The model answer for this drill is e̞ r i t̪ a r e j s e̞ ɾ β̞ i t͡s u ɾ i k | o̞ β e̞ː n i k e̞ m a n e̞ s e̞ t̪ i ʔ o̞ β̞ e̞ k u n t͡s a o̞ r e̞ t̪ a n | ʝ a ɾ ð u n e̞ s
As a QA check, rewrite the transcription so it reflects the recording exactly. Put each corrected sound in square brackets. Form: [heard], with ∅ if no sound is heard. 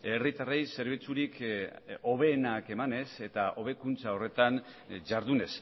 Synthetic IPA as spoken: e̞ r i t̪ a r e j s e̞ ɾ β̞ i t͡s u ɾ i k | o̞ β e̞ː n [a] k e̞ m a n e̞ s e̞ t̪ [a] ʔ o̞ β̞ e̞ k u n t͡s a o̞ r e̞ t̪ a n | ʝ a ɾ ð u n e̞ s